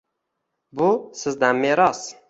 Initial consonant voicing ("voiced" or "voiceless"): voiced